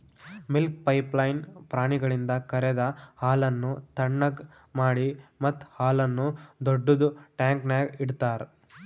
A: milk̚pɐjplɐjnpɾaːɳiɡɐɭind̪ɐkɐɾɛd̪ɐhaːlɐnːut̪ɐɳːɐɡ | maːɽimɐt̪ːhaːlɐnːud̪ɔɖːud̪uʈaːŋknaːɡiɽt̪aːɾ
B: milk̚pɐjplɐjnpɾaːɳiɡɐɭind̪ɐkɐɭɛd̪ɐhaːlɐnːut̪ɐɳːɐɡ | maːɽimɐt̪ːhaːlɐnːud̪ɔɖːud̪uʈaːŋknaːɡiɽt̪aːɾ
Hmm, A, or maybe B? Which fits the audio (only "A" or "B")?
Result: A